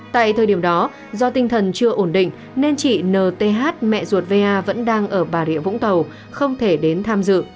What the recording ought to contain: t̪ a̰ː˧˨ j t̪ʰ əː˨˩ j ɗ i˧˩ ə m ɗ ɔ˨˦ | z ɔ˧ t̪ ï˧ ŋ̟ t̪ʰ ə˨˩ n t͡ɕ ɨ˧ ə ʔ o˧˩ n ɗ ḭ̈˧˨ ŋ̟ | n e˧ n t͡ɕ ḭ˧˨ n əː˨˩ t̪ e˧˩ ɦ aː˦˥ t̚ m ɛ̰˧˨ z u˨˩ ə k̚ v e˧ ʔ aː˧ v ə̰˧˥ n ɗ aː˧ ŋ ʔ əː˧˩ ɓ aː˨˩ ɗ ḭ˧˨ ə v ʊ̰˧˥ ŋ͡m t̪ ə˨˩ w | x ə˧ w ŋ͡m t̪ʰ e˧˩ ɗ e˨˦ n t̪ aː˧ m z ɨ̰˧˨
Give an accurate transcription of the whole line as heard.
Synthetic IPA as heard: t̪ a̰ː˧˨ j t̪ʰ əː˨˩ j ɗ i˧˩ ə m ɗ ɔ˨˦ | z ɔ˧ t̪ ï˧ ŋ̟ t̪ʰ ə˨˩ n t͡ɕ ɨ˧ ə ʔ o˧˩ n ɗ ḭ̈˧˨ ŋ̟ | n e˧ n t͡ɕ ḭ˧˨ n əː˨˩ t̪ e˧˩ ɦ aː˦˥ t̚ m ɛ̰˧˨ z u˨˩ ə t̚ v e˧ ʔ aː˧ v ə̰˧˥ n ɗ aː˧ ŋ ʔ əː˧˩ ɓ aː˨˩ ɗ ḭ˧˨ ə v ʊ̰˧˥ ŋ͡m t̪ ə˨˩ w | x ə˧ w ŋ͡m t̪ʰ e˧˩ ɗ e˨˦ n t̪ʰ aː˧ m z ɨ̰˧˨